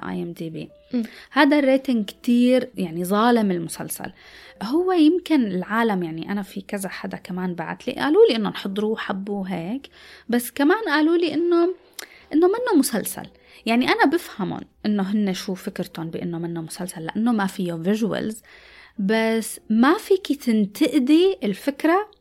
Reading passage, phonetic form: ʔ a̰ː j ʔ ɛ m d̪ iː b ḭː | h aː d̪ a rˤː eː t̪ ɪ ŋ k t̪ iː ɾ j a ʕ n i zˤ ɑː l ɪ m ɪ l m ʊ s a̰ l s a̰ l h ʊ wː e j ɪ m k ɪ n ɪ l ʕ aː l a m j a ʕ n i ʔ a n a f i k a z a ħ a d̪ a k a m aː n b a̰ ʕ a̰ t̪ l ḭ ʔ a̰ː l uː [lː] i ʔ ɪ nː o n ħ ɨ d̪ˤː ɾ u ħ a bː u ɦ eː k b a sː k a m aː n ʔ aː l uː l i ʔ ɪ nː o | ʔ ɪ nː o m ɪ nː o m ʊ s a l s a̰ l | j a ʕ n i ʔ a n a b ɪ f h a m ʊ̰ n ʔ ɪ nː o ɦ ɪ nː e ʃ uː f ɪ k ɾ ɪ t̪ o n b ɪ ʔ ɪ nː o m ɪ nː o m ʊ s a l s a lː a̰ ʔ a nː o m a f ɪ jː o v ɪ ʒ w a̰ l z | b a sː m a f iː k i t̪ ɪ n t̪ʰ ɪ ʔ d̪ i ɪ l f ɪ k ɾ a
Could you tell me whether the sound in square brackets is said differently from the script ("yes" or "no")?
yes